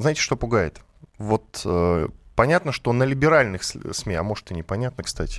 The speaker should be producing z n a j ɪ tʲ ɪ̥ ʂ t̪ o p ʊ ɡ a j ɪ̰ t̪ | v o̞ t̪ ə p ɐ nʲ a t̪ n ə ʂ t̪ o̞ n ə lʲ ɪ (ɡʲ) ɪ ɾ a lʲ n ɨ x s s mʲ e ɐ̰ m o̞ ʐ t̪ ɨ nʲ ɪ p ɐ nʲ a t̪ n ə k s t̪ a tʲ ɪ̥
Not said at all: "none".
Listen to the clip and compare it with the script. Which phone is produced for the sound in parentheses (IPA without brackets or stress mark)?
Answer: bʲ